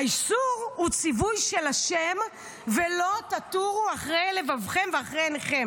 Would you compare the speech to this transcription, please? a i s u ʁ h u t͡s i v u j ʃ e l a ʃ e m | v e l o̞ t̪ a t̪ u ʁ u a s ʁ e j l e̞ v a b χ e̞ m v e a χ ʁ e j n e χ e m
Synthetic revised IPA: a i s u ʁ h u t͡s i v u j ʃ e l a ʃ e m | v e l o̞ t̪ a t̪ u ʁ u a χ ʁ e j l e̞ v a v χ e̞ m v e a χ ʁ e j n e χ e m